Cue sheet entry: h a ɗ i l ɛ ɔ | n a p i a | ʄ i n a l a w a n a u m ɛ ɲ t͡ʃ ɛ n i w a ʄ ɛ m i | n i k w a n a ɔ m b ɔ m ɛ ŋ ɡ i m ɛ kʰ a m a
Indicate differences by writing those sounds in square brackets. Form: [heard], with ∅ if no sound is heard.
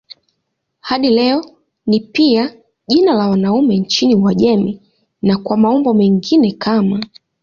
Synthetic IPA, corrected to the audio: h a ɗ i l ɛ ɔ | n [i] p i a | ʄ i n a l a w a n a u m ɛ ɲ t͡ʃ [i] n i w a ʄ ɛ m i | n [a] k w a [m] a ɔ m b ɔ m ɛ ŋ ɡ i [n] ɛ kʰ a m a